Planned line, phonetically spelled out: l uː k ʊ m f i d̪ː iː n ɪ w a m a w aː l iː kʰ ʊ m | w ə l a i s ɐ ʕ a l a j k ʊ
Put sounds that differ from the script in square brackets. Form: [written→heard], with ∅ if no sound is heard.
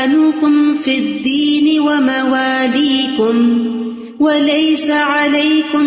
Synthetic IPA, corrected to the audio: l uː k ʊ m f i d̪ː iː n ɪ w a m a w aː l iː [kʰ→k] ʊ m | w [ə→a] l a [i→j] s [ɐ→a] ʕ a l a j k ʊ